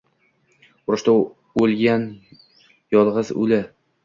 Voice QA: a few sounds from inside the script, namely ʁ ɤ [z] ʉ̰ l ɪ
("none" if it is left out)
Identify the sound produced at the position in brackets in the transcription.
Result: z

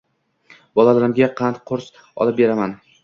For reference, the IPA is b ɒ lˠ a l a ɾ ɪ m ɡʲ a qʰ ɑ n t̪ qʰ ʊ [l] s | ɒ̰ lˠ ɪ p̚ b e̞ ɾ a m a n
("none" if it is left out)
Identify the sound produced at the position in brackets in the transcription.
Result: ɾ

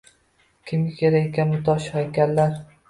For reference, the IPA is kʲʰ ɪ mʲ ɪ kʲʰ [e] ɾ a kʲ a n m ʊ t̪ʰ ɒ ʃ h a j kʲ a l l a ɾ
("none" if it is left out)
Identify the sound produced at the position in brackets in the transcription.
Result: e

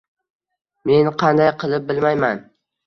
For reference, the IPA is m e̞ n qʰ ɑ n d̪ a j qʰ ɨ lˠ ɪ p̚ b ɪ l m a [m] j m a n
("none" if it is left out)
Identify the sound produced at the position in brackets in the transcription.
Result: none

